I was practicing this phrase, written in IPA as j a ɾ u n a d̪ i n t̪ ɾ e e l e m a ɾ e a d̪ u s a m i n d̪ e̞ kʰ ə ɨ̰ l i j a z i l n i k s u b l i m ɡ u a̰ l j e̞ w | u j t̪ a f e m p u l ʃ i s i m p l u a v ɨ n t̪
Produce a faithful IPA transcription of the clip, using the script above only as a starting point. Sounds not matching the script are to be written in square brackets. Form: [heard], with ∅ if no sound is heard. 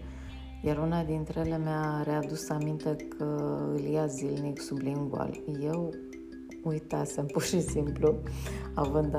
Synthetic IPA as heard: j a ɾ u n a d̪ i n t̪ ɾ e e l e m a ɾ e a d̪ u s a m i n [t̪] e̞ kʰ ə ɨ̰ l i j a z i l n i k s u b l i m ɡ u a̰ l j e̞ w | u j t̪ a [s] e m p u [r] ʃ i s i m p l u a v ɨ n [d̪]